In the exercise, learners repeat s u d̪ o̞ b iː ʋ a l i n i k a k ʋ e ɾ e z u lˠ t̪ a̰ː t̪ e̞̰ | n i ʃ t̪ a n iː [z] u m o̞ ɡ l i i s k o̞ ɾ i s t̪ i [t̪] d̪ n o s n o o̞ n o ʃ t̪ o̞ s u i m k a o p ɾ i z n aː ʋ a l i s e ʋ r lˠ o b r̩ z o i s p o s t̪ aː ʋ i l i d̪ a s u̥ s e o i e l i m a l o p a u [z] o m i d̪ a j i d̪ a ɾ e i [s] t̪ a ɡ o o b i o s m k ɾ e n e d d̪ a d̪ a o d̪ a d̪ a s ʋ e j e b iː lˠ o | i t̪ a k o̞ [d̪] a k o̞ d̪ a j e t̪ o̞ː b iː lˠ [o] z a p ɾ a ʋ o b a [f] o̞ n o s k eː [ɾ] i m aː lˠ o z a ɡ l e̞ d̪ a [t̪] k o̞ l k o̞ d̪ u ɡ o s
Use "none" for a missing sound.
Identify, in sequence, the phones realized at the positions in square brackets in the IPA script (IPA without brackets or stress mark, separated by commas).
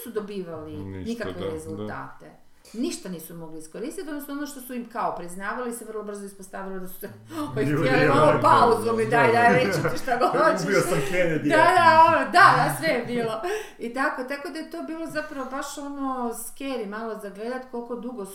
s, t̪, z, ʃ, t̪, o, ʃ, ɾ, t̪